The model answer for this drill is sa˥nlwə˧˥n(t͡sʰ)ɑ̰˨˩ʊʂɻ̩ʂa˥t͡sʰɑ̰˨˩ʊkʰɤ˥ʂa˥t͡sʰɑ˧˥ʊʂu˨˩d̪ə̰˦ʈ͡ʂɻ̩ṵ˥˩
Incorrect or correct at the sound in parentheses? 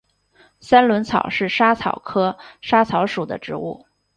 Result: correct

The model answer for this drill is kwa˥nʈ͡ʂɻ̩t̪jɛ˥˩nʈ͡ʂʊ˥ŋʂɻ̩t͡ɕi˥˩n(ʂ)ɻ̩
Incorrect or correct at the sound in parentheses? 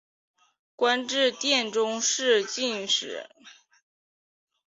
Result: correct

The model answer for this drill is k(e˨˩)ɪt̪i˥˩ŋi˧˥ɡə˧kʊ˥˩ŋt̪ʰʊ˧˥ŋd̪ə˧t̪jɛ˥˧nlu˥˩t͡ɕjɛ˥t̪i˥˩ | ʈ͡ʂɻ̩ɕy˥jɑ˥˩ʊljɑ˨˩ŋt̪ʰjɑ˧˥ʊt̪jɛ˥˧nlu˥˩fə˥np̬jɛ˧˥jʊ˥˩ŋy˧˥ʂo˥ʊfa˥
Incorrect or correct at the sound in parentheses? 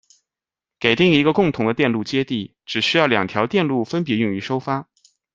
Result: correct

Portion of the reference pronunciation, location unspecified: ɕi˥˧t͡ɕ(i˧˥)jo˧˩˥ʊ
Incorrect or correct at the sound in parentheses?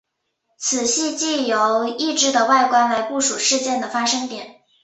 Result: incorrect: i˥˩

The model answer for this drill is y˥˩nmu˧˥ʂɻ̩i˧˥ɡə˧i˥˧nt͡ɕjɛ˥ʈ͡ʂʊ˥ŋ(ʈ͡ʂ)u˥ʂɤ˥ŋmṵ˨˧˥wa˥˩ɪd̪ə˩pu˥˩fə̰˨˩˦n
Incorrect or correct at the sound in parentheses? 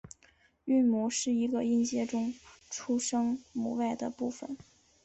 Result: incorrect: ʈ͡ʂʰ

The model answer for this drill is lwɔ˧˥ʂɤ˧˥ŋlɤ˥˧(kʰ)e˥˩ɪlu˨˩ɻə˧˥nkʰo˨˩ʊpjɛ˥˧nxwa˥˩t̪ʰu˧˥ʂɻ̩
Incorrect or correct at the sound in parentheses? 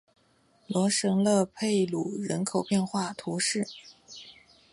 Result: incorrect: pʰ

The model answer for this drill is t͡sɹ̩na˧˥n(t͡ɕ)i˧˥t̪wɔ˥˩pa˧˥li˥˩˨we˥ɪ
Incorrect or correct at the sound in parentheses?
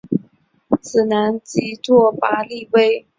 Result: correct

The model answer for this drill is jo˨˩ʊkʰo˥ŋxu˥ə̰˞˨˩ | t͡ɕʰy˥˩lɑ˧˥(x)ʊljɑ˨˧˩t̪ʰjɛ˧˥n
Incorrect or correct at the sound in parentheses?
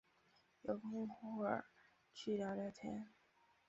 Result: incorrect: none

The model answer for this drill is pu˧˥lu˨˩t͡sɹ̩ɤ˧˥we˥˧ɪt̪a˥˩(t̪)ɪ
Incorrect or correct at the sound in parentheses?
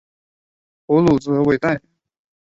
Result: incorrect: none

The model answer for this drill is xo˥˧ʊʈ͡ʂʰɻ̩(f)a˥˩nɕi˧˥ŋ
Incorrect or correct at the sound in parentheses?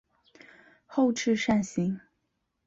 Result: incorrect: ʂ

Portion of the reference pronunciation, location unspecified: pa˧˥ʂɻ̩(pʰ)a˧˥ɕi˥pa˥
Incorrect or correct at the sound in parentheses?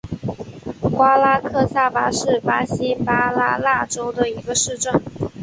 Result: incorrect: p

